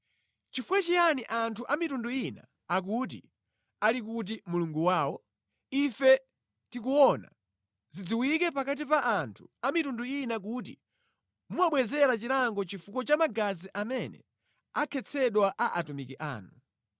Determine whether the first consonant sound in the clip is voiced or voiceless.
voiceless